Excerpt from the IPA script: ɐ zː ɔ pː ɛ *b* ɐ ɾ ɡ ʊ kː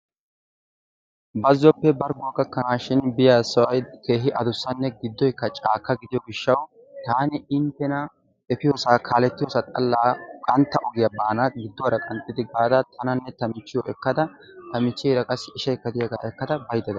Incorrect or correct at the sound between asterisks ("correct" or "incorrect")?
correct